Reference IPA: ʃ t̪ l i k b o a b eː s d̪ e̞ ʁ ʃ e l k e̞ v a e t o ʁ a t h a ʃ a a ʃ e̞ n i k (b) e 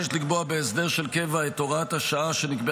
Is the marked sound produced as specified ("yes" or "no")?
yes